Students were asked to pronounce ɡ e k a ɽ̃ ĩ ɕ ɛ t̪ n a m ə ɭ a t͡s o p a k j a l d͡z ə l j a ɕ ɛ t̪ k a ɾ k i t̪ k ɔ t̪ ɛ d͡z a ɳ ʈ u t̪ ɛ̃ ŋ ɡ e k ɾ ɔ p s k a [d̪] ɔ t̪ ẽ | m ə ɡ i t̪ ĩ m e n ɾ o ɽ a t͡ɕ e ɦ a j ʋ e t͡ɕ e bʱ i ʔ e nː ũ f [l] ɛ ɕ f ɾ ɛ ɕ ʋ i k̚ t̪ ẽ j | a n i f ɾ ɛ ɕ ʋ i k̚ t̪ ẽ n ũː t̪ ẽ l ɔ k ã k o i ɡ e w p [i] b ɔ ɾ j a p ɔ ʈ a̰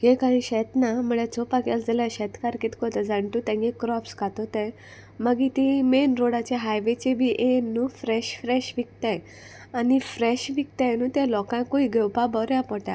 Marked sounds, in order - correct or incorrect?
incorrect: t̪, incorrect: ɾ, incorrect: a

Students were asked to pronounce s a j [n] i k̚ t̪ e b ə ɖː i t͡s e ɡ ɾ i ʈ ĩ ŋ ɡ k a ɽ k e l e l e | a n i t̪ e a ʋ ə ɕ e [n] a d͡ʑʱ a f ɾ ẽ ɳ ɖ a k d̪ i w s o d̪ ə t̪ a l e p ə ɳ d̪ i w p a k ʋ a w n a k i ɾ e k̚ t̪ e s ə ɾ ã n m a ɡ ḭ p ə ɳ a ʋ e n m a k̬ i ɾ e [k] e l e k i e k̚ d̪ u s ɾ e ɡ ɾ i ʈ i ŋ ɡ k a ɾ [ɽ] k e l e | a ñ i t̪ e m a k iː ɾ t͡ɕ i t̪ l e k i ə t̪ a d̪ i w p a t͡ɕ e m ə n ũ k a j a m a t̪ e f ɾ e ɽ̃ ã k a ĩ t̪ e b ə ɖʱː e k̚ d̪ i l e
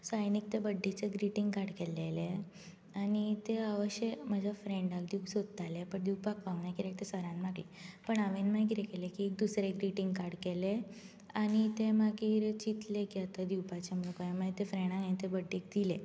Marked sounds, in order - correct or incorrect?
correct, incorrect: m, correct, correct

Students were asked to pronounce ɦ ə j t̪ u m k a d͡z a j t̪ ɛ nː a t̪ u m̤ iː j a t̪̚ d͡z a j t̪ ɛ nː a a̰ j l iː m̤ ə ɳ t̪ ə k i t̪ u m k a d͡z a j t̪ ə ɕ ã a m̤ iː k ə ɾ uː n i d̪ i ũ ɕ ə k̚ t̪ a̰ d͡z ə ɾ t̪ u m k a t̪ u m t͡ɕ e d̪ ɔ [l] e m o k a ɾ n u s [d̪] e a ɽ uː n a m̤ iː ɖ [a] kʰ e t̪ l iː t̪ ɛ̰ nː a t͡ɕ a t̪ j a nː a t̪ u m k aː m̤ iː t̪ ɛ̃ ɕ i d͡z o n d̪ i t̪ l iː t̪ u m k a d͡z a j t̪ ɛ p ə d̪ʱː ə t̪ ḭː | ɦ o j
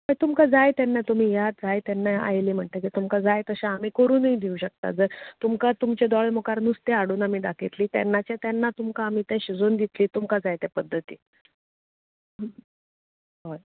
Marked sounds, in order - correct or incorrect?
incorrect: ɭ, incorrect: t̪, correct

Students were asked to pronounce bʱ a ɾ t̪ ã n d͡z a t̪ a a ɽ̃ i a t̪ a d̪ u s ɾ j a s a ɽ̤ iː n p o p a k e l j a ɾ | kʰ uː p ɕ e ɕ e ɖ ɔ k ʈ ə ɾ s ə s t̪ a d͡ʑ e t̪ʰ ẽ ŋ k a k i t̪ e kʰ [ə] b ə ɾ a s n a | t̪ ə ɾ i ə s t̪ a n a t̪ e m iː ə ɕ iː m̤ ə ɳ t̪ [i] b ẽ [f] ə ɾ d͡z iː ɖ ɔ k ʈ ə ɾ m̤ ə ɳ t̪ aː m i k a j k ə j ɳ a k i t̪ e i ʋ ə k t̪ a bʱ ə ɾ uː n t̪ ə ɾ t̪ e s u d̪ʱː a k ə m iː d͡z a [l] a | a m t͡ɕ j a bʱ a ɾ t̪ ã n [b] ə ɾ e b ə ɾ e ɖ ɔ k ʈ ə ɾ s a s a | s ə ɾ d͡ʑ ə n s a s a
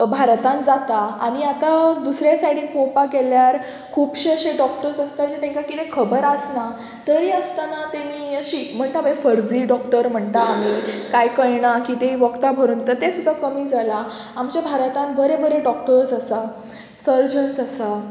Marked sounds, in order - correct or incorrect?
correct, incorrect: a, correct, correct, correct

